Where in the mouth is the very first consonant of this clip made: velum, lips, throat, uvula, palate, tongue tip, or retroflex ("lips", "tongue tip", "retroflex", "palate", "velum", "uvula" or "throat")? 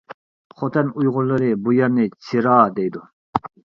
uvula